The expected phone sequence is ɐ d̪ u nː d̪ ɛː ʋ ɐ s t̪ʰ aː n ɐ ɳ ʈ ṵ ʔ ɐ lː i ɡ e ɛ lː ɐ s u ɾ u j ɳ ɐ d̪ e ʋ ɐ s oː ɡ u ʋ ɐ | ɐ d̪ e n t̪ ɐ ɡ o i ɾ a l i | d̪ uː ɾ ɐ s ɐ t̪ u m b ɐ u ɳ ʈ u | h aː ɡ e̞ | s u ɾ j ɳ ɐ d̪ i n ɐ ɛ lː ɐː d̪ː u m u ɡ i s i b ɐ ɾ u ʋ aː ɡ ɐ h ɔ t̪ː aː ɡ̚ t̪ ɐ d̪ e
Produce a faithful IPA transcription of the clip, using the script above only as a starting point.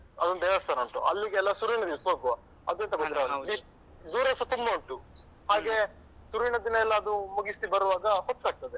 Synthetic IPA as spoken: ɐ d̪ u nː d̪ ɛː ʋ ɐ s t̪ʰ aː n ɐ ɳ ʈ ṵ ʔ ɐ lː i ɡ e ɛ lː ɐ s u ɾ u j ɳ ɐ d̪ i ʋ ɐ s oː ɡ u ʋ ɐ | ɐ d̪ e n t̪ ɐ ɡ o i ɾ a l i | d̪ uː ɾ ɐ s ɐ t̪ u m b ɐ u ɳ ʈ u | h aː ɡ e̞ | s u ɾ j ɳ ɐ d̪ i n ɐ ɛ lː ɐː d̪ u m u ɡ i s i b ɐ ɾ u ʋ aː ɡ ɐ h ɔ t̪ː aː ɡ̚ t̪ ɐ d̪ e